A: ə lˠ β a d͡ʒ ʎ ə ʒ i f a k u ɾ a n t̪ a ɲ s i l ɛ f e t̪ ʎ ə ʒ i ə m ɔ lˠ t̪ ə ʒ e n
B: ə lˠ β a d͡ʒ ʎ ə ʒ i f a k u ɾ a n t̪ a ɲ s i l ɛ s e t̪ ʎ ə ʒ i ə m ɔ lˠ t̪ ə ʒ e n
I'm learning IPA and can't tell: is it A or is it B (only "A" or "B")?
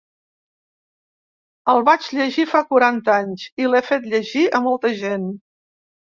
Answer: A